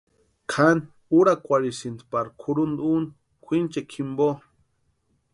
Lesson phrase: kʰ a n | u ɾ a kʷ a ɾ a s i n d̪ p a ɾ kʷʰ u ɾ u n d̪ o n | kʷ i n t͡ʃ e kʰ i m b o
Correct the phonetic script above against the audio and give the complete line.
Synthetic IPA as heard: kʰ a n | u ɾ a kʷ a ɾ i s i n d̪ p a ɾ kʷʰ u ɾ u n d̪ u n | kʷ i n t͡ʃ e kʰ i m b o